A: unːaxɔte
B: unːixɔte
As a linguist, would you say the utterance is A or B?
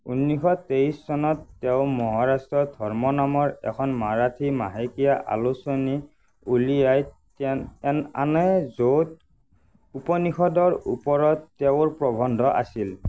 B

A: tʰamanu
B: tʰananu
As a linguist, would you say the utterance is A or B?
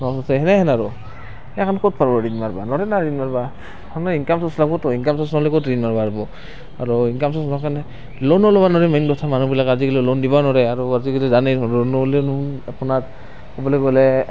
A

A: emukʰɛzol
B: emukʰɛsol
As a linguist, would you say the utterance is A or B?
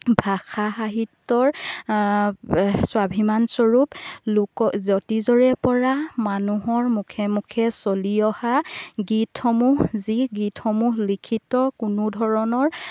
B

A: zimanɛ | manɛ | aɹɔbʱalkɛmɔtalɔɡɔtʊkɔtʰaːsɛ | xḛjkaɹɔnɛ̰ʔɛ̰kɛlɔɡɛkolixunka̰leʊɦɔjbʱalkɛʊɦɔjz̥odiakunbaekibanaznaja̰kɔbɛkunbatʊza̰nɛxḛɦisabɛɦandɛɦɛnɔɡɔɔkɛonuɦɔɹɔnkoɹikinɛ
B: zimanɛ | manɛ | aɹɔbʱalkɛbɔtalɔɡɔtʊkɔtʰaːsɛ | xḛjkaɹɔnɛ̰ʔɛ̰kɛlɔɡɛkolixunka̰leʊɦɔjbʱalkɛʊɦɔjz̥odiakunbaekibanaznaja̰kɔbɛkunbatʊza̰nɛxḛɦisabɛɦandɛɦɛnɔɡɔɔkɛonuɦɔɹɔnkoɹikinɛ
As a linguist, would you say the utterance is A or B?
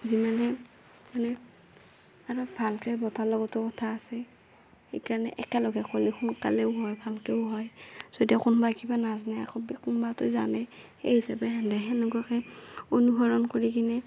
B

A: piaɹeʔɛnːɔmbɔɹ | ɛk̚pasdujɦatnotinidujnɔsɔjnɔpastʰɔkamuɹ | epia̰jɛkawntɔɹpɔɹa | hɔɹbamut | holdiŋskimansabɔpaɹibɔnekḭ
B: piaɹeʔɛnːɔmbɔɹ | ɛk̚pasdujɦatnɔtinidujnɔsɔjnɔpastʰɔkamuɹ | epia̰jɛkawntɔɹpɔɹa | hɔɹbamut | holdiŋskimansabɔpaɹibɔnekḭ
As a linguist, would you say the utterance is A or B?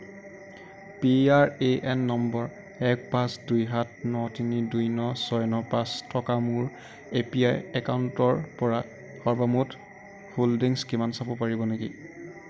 B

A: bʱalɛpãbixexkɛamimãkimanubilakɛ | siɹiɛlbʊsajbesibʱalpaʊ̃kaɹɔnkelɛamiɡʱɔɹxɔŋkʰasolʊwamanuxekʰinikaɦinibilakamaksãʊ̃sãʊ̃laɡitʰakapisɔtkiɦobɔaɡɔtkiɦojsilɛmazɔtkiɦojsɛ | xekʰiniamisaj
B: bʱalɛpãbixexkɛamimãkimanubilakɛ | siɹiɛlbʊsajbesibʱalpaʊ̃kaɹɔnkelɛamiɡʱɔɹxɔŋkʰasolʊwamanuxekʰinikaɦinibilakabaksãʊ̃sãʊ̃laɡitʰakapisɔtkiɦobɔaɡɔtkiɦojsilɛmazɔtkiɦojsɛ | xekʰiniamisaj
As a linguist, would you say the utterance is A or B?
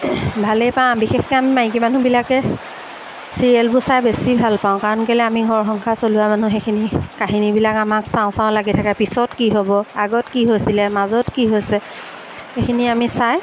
A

